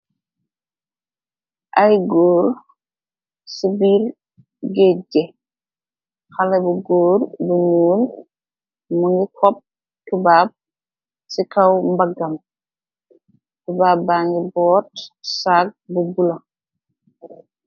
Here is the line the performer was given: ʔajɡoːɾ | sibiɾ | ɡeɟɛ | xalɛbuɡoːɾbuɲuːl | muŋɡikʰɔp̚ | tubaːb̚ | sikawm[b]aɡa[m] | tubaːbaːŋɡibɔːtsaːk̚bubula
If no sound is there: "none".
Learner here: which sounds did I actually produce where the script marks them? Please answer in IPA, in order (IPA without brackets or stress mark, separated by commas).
b, m